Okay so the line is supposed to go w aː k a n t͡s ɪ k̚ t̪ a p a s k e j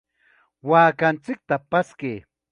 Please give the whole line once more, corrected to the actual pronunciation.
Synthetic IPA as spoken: w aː k a n t͡s ɪ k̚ t̪ a p a s k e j